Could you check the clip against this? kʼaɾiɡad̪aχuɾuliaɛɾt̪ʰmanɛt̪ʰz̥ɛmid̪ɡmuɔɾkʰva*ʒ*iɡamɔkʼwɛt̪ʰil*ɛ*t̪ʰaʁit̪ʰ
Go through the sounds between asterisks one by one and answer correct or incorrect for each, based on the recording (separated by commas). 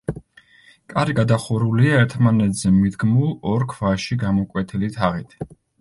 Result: incorrect, incorrect